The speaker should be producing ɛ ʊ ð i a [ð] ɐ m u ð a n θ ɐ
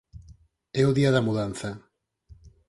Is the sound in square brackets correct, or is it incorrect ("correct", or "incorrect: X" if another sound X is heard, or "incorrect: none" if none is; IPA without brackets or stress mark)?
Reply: correct